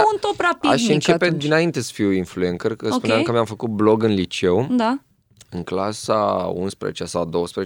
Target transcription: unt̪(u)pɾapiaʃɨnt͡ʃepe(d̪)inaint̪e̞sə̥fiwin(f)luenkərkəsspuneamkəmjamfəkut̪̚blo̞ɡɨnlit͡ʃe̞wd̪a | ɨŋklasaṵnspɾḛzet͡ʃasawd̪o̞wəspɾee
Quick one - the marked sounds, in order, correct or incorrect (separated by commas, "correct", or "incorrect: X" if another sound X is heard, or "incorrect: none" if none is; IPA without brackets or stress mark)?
incorrect: o, correct, correct